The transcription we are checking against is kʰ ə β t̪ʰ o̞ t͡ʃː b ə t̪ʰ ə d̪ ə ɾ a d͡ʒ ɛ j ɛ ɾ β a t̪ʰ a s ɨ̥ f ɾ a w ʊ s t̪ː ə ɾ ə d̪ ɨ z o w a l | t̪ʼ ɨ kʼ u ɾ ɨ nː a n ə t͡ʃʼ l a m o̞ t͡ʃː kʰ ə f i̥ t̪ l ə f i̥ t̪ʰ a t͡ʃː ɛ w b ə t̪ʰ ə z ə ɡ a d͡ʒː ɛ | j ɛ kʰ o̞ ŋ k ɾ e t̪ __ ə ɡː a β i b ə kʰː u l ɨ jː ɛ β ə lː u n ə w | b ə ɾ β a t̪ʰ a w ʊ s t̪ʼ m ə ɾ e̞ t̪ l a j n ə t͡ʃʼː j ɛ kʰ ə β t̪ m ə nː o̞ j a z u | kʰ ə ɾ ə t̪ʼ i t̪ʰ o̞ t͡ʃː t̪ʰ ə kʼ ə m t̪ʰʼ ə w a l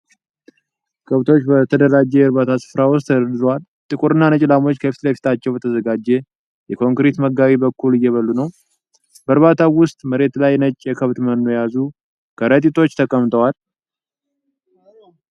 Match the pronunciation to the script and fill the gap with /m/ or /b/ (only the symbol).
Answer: m